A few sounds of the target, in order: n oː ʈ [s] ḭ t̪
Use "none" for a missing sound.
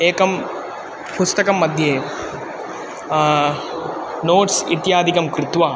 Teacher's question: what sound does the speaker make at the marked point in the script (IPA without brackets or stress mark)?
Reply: s